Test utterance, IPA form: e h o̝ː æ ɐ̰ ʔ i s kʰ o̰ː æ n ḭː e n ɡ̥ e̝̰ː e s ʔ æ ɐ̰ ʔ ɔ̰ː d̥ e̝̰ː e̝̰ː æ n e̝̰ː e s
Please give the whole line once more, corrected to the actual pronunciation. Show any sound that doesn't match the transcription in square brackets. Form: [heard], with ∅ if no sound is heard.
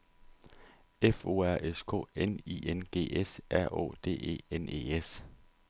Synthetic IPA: e [f] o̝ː æ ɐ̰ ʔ [e] s kʰ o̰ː [e] n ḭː e n ɡ̥ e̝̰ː e s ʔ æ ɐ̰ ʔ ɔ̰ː d̥ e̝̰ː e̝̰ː [e] n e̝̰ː e s